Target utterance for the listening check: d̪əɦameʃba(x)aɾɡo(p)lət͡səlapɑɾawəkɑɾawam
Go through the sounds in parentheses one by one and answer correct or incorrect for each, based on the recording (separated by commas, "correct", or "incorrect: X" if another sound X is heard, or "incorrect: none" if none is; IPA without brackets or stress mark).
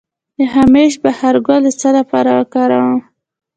incorrect: h, incorrect: none